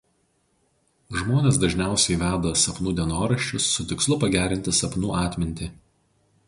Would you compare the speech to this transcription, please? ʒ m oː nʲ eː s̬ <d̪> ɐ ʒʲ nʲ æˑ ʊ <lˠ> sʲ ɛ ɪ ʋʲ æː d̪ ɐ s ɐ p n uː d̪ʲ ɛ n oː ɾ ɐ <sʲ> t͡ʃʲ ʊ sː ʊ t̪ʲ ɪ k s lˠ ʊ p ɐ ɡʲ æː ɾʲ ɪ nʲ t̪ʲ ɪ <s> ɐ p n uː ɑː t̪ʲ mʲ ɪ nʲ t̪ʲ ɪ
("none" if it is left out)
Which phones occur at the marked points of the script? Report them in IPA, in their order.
d̪, none, ʃʲ, s

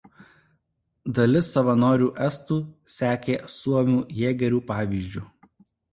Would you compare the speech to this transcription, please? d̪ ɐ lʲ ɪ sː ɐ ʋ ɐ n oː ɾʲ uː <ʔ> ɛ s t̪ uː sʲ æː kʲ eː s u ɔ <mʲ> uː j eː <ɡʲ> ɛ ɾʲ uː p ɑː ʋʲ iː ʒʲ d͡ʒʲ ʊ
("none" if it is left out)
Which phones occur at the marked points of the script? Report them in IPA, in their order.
ʔ, mʲ, ɡʲ

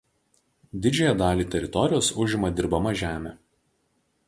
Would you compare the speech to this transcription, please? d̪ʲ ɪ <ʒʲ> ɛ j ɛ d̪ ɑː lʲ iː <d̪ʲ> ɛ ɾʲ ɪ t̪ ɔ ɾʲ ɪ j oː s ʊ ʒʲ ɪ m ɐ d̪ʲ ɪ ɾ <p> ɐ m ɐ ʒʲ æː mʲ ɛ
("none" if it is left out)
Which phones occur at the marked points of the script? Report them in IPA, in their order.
d͡ʒʲ, t̪ʲ, b

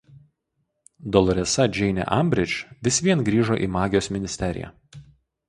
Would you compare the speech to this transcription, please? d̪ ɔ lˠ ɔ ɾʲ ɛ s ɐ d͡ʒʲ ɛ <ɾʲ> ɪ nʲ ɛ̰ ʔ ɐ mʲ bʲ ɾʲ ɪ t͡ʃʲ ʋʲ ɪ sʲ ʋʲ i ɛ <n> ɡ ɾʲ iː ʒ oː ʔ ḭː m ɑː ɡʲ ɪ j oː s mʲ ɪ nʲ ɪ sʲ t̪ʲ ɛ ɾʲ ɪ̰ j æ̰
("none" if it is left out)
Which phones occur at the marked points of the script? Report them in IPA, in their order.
none, n

